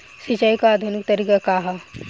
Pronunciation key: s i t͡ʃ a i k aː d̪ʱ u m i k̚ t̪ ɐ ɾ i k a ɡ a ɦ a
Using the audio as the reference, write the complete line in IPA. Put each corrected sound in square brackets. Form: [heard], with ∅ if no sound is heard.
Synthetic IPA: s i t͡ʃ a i k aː d̪ʱ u [n] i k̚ t̪ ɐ ɾ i k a [k] a ɦ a